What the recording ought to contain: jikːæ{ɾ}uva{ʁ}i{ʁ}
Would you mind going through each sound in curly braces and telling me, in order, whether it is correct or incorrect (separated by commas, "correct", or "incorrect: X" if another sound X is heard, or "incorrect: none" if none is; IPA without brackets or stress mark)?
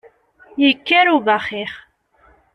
correct, incorrect: χ, incorrect: χ